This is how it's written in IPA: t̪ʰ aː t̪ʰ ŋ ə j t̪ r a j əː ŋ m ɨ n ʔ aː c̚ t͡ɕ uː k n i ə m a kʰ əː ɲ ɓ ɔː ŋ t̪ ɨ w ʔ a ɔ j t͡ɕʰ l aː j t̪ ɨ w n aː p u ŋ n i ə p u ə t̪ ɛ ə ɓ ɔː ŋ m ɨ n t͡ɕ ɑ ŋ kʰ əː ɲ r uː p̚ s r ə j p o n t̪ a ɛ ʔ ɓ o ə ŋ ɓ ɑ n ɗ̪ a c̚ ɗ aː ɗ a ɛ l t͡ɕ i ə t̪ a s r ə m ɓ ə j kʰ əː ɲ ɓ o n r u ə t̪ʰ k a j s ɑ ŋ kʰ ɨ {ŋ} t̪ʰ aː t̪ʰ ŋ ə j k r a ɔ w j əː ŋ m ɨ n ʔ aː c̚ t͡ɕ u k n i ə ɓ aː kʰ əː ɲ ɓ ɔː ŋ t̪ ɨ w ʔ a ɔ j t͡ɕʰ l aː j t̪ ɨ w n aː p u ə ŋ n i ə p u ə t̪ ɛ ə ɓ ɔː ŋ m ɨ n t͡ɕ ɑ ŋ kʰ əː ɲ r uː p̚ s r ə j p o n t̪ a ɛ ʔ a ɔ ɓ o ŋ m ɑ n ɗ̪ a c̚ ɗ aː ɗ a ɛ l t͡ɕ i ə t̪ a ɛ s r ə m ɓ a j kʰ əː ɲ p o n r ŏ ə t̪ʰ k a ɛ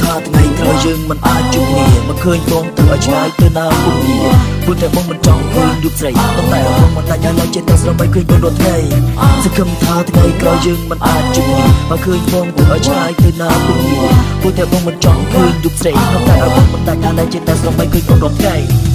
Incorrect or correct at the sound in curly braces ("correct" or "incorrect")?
incorrect